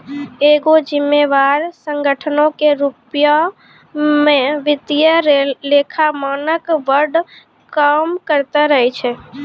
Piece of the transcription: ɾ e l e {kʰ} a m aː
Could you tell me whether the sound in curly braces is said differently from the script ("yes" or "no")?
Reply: no